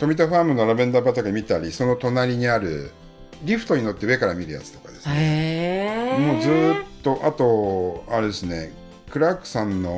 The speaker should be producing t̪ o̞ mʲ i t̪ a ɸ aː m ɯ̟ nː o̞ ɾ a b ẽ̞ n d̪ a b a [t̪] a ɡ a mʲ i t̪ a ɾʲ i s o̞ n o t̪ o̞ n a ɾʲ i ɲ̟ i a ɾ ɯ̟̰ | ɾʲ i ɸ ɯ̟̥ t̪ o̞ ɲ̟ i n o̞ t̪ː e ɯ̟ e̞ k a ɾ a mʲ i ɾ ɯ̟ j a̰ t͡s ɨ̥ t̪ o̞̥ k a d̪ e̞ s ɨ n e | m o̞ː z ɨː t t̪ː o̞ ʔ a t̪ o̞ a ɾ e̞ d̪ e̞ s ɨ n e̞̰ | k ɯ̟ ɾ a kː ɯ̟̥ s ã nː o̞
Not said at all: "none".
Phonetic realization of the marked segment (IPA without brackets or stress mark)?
t̪